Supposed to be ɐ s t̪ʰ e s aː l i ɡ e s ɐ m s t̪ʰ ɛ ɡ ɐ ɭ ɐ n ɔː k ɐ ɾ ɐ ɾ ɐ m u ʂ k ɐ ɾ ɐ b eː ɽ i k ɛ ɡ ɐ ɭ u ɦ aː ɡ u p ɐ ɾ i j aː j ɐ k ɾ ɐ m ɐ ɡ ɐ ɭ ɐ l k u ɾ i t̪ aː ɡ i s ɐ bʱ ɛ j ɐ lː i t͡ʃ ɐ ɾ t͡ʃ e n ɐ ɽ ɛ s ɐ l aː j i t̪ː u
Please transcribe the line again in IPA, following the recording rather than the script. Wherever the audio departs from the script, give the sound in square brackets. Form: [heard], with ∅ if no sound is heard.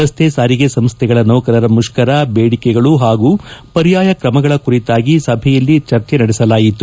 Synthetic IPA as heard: ɐ s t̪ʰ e s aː [ɾ] i ɡ e s ɐ m s t̪ʰ ɛ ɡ ɐ ɭ ɐ n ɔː k ɐ ɾ ɐ ɾ ɐ m u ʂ k ɐ ɾ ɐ b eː ɽ i k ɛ ɡ ɐ ɭ u ɦ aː ɡ u p ɐ ɾ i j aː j ɐ k ɾ ɐ m ɐ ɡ ɐ ɭ ɐ [∅] k u ɾ i t̪ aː ɡ i s ɐ bʱ ɛ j ɐ lː i t͡ʃ ɐ ɾ t͡ʃ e n ɐ ɽ ɛ s ɐ l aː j i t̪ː u

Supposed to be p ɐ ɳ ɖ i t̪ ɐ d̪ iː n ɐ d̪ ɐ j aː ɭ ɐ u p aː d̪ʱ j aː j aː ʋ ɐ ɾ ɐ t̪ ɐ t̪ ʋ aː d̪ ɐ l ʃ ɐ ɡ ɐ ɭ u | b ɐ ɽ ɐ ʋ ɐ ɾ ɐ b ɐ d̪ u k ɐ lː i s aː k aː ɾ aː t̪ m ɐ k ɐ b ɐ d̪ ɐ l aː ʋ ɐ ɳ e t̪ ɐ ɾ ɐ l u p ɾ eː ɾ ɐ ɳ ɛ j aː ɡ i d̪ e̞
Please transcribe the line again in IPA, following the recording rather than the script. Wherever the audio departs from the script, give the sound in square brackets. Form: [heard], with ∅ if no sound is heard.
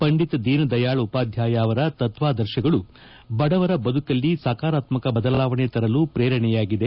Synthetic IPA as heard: p ɐ ɳ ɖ i t̪ ɐ d̪ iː n ɐ d̪ ɐ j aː ɭ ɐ u p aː d̪ʱ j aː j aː ʋ ɐ ɾ ɐ t̪ ɐ t̪ ʋ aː d̪ ɐ [ɾ] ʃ ɐ ɡ ɐ ɭ u | b ɐ ɽ ɐ ʋ ɐ ɾ ɐ b ɐ d̪ u k ɐ lː i s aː k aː ɾ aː t̪ m ɐ k ɐ b ɐ d̪ ɐ l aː ʋ ɐ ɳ e t̪ ɐ ɾ ɐ l u p ɾ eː ɾ ɐ ɳ ɛ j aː ɡ i d̪ e̞

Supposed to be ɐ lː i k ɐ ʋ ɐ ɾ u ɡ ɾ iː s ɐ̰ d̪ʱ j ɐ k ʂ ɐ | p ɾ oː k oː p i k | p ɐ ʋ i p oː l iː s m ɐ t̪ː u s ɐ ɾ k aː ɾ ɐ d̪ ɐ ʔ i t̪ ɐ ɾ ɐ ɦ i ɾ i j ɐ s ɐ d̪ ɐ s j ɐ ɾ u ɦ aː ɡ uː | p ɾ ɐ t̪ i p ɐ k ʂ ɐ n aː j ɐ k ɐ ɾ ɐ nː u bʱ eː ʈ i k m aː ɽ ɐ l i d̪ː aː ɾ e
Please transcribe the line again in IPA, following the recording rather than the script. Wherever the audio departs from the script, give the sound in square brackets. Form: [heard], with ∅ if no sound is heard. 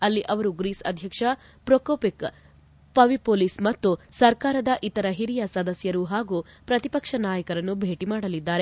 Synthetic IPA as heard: ɐ lː i [ʔ] ɐ ʋ ɐ ɾ u ɡ ɾ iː s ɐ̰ d̪ʱ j ɐ k ʂ ɐ | p ɾ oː k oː p i k | p ɐ ʋ i p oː l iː s m ɐ t̪ː u s ɐ ɾ k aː ɾ ɐ d̪ ɐ ʔ i t̪ ɐ ɾ ɐ ɦ i ɾ i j ɐ s ɐ d̪ ɐ s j ɐ ɾ u ɦ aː ɡ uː | p ɾ ɐ t̪ i p ɐ k ʂ ɐ n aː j ɐ k ɐ ɾ ɐ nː u bʱ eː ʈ i [∅] m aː ɽ ɐ l i d̪ː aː ɾ e

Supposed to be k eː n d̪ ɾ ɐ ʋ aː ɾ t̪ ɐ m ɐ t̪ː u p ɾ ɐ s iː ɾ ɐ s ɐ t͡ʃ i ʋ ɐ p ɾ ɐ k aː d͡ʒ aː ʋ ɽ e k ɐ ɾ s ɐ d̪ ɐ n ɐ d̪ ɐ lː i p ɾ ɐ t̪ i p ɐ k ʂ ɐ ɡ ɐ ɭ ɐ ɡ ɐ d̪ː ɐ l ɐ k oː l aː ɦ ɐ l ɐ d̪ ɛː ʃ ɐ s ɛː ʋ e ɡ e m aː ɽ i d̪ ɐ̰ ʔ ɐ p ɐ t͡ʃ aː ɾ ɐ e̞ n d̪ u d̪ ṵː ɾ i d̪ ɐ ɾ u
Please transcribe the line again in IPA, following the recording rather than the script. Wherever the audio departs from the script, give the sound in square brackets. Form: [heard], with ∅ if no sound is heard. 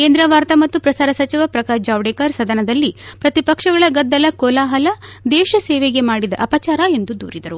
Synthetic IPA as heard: k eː n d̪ ɾ ɐ ʋ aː ɾ t̪ ɐ m ɐ t̪ː u p ɾ ɐ s [aː] ɾ ɐ s ɐ t͡ʃ i ʋ ɐ p ɾ ɐ k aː d͡ʒ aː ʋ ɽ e k ɐ ɾ s ɐ d̪ ɐ n ɐ d̪ ɐ lː i p ɾ ɐ t̪ i p ɐ k ʂ ɐ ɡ ɐ ɭ ɐ ɡ ɐ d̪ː ɐ l ɐ k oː l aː ɦ ɐ l ɐ d̪ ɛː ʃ ɐ s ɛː ʋ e ɡ e m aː ɽ i d̪ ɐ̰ ʔ ɐ p ɐ t͡ʃ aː ɾ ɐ e̞ n d̪ u d̪ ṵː ɾ i d̪ ɐ ɾ u

